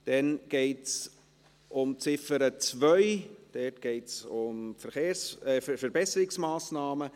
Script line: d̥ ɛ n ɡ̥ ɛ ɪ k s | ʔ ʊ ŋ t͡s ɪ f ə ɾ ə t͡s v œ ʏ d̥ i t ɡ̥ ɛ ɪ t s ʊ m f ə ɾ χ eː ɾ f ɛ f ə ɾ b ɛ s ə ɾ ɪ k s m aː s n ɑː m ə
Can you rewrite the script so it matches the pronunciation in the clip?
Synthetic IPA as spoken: d̥ ɛ n ɡ̥ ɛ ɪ t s | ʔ ʊ m t͡s ɪ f ə ɾ ə t͡s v œ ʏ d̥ ɛ t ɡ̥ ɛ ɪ t s ʊ m f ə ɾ χ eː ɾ s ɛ f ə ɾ b ɛ s ə ɾ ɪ k s m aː s n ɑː m ə